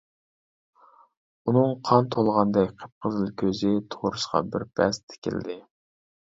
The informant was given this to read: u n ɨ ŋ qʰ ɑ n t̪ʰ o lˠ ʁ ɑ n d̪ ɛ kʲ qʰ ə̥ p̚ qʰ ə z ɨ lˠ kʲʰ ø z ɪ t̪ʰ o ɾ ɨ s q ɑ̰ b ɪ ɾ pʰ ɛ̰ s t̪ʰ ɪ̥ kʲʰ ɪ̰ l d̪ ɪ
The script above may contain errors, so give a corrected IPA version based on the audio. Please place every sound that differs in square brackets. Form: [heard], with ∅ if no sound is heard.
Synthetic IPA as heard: u n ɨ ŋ qʰ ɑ n t̪ʰ o lˠ ʁ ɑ n d̪ ɛ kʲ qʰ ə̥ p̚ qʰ ə z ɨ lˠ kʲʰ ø z ɪ t̪ʰ o ɾ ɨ [ʃ] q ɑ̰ b ɪ ɾ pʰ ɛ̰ s t̪ʰ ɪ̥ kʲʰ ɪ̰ l d̪ ɪ